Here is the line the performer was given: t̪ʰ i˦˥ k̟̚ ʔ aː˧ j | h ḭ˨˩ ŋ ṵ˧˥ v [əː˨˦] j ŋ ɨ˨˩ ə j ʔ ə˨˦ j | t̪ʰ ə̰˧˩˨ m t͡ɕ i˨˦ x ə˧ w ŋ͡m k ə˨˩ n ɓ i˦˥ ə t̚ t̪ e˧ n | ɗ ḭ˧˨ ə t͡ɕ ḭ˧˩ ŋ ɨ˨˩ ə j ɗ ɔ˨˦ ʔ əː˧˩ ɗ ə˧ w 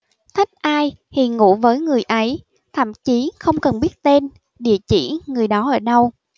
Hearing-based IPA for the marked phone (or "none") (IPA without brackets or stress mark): əː˨˦